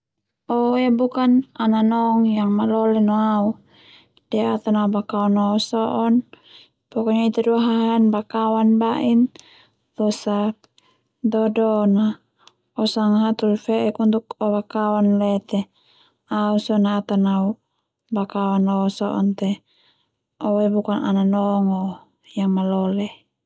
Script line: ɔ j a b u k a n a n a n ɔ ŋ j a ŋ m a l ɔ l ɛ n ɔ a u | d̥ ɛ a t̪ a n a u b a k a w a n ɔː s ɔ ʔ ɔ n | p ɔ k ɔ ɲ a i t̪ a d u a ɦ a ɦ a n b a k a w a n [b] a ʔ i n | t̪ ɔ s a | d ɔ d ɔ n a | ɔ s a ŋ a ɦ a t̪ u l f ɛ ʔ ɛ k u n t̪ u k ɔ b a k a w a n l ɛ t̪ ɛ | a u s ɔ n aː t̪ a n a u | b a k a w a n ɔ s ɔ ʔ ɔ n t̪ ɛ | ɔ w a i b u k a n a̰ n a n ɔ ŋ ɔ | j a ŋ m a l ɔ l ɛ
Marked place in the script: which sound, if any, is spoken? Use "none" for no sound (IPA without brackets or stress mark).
b